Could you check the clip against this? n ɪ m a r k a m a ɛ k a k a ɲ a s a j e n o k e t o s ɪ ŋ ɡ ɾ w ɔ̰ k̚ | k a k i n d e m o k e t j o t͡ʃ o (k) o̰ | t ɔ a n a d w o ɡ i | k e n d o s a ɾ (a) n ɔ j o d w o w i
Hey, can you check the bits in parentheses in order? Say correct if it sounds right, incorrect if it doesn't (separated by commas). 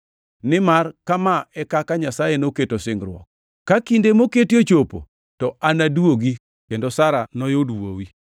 incorrect, correct